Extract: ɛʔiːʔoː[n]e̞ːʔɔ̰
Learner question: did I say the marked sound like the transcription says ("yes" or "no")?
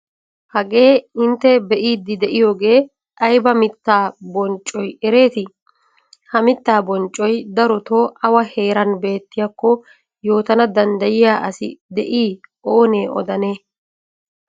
yes